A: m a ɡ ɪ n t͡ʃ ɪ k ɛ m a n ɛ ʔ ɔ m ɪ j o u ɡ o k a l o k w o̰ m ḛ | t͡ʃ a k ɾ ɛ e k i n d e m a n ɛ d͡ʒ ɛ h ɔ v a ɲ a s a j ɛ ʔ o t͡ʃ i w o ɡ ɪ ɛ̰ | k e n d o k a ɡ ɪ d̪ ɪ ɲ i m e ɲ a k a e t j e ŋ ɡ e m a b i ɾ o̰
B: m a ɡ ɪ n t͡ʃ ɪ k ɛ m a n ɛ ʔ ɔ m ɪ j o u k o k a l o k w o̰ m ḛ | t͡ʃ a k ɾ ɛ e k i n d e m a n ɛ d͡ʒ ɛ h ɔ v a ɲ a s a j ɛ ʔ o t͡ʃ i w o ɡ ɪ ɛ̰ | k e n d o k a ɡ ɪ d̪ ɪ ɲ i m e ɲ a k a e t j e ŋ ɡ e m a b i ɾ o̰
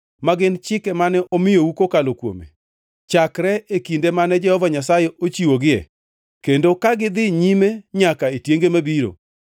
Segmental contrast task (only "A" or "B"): B